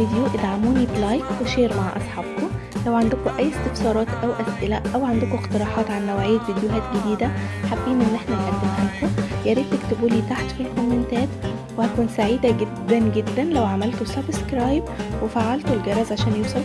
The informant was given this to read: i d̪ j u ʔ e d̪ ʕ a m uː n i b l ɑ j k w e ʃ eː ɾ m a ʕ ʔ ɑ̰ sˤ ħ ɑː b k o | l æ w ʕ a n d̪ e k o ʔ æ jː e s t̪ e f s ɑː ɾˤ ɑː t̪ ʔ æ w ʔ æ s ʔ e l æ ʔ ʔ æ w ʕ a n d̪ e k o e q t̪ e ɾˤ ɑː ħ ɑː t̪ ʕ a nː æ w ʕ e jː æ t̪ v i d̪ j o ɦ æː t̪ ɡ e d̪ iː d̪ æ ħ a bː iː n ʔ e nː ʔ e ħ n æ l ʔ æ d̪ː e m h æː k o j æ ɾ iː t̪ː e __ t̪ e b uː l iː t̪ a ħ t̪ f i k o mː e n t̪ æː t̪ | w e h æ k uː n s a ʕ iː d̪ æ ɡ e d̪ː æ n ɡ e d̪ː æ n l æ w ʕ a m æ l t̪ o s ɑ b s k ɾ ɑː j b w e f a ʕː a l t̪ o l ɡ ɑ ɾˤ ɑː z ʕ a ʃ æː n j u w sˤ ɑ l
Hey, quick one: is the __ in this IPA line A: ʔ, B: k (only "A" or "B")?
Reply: B